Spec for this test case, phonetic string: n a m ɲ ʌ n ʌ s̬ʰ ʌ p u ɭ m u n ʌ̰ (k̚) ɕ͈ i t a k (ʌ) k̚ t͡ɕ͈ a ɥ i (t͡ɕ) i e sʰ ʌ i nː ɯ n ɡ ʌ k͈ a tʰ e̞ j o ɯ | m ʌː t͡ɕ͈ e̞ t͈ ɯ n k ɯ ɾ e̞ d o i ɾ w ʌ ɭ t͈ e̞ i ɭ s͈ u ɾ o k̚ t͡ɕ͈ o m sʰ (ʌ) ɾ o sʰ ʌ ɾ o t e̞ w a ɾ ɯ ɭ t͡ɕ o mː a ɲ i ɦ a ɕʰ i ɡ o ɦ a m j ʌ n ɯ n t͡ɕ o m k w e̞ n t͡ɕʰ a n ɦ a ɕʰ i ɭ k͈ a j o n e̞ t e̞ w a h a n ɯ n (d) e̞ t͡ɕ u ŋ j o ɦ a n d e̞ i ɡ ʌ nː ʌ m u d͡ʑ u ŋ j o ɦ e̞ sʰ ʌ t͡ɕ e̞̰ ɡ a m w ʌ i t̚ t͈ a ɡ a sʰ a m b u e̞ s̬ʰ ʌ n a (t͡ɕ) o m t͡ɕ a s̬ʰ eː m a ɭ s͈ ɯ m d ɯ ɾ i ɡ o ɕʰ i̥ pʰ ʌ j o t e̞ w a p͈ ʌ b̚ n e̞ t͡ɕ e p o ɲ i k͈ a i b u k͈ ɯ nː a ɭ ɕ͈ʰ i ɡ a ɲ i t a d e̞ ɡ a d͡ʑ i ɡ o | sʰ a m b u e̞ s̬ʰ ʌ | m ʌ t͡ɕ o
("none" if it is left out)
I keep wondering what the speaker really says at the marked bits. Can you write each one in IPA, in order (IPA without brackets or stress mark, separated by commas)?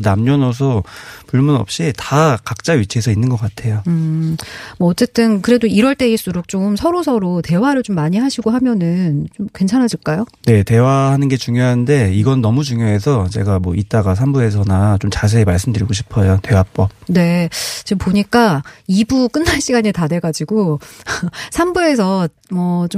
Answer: p̚, a, t͡ɕʰ, ʌ, ɡ, t͡ɕ